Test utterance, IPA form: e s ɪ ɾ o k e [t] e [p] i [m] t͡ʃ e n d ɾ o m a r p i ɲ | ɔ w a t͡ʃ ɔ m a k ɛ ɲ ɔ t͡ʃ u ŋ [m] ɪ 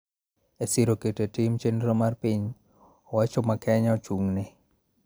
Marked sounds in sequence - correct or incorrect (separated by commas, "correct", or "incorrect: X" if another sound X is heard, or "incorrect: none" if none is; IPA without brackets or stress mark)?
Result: correct, incorrect: t, correct, incorrect: n